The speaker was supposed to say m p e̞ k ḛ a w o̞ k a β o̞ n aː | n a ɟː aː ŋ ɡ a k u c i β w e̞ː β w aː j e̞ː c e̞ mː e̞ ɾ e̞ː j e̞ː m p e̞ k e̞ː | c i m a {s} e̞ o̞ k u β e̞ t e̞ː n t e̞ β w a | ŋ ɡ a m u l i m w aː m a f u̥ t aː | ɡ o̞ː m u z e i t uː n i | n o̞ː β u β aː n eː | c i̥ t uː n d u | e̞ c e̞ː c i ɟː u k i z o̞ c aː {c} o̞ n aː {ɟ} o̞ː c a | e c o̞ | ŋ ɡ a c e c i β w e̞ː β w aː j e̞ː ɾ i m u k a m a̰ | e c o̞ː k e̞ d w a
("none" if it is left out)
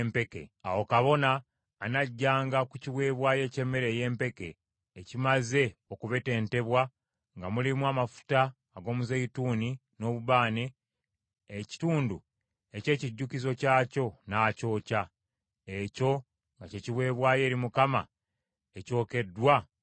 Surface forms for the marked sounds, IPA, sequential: z, c, c

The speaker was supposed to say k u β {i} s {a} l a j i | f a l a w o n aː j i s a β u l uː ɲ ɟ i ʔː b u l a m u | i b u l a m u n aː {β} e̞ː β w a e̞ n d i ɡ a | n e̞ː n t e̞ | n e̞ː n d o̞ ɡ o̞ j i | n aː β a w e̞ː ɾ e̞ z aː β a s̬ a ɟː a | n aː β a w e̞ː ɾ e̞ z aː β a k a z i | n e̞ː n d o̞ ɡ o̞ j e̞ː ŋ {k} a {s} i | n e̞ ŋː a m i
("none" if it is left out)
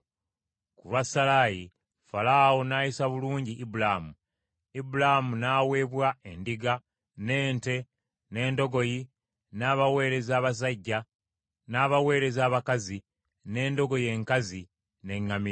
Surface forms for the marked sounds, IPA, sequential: a, a, w, k, z

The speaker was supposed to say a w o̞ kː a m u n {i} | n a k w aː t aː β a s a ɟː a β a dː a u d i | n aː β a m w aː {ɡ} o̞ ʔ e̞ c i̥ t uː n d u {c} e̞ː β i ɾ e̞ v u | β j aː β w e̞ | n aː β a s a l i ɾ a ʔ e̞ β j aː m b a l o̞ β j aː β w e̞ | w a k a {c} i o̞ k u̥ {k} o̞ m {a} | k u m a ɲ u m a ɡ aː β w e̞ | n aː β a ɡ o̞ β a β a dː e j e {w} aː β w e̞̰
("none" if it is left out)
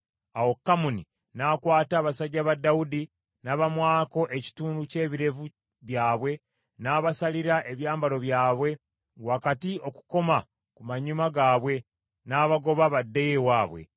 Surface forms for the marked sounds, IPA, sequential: i, k, c, t, k, a, w

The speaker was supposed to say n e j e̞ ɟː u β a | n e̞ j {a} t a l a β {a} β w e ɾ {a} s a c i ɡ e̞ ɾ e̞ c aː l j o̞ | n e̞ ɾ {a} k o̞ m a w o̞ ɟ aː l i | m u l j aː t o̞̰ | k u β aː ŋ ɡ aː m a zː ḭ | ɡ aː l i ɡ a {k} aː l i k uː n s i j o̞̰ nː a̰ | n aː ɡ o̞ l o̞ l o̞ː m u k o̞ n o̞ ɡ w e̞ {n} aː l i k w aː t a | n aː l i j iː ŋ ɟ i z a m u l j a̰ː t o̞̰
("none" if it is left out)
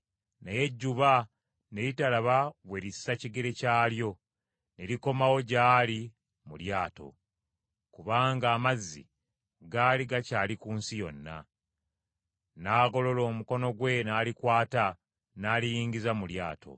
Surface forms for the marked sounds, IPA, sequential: i, a, i, i, c, n

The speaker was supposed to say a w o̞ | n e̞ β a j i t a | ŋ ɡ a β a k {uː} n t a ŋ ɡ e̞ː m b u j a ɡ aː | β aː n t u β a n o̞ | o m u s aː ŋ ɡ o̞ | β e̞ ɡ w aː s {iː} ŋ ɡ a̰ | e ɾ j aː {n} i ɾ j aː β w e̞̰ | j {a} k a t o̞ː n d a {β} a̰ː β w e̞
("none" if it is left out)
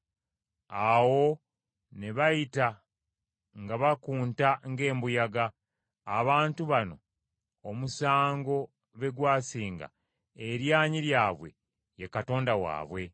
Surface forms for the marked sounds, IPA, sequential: uː, iː, ɲ, e, w

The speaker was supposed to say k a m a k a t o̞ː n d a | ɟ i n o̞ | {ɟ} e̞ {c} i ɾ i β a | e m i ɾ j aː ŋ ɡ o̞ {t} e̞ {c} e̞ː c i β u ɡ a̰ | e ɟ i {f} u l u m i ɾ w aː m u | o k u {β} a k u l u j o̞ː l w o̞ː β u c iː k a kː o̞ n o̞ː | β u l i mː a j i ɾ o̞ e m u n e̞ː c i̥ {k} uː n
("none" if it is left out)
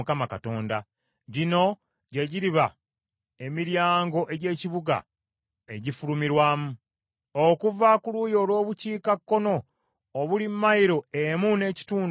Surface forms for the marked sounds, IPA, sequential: ɟ, ɟ, ʔ, ɟ, f, v, t

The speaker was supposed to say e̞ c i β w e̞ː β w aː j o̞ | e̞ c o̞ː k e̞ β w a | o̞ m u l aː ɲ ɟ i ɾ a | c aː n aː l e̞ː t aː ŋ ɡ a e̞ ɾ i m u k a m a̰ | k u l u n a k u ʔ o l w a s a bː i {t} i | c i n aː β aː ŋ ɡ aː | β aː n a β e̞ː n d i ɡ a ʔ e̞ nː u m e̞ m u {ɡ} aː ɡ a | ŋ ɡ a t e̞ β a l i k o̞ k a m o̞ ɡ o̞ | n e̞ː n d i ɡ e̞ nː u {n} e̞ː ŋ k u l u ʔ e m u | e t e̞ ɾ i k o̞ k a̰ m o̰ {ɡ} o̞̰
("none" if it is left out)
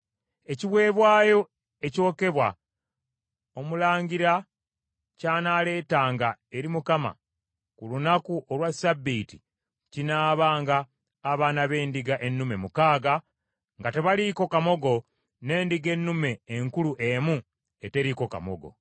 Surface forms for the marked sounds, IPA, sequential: t, k, m, ɡ

